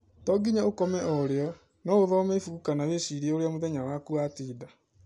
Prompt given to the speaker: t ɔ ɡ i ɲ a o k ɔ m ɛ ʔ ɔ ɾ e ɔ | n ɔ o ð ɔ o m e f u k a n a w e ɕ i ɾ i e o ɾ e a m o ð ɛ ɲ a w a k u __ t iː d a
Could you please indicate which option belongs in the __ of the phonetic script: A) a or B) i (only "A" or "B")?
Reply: A